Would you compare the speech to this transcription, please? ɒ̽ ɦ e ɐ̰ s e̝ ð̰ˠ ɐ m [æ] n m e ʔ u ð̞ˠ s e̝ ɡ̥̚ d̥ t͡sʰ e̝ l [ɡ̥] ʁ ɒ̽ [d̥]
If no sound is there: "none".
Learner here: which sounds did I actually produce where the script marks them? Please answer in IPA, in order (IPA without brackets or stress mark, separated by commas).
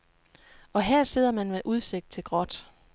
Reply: æ, ɡ̥, d̥